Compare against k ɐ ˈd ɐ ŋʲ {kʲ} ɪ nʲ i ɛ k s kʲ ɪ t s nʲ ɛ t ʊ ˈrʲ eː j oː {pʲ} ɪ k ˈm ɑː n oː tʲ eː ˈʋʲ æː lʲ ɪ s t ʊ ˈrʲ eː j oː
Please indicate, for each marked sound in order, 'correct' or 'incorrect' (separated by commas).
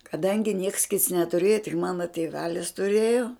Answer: incorrect, incorrect